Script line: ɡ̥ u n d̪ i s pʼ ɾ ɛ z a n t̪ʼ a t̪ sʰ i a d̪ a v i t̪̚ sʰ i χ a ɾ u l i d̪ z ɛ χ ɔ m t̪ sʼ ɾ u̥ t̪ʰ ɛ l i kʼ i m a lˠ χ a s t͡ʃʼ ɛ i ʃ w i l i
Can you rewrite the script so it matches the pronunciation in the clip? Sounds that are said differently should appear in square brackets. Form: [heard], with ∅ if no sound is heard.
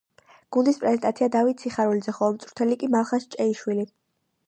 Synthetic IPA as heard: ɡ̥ u n d̪ i s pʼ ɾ ɛ z [ɛ] n t̪ʼ a t̪ sʰ i a d̪ a v i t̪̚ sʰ i χ a ɾ u l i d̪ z ɛ χ ɔ m t̪ sʼ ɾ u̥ t̪ʰ ɛ l i kʼ i m a lˠ χ a s t͡ʃʼ ɛ i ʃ w i l i